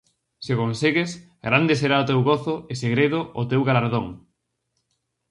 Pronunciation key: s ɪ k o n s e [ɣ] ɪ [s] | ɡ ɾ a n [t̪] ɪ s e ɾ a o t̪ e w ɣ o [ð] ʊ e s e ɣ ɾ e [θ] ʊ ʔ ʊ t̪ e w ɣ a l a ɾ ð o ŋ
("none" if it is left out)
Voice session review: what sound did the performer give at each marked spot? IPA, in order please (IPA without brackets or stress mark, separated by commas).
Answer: ɣ, s, d̪, θ, ð